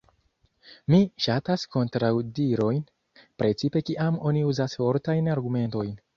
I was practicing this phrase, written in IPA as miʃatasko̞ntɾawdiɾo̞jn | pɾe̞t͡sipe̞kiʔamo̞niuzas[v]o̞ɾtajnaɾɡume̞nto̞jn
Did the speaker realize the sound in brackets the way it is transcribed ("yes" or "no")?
no